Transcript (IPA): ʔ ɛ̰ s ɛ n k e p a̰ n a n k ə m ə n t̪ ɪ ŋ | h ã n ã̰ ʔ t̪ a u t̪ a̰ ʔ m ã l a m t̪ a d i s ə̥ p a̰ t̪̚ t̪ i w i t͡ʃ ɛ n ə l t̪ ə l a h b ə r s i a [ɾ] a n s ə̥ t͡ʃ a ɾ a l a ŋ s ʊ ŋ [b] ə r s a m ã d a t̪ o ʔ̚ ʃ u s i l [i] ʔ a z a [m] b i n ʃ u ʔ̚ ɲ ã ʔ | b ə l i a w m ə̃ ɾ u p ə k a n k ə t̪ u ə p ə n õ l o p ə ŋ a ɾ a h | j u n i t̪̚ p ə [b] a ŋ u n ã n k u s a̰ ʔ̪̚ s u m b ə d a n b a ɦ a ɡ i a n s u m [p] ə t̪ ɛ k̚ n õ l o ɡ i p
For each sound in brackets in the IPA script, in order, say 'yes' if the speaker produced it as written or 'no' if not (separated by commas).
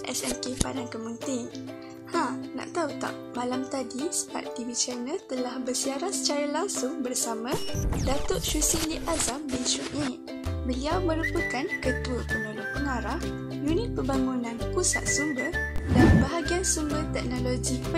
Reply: yes, yes, yes, yes, yes, no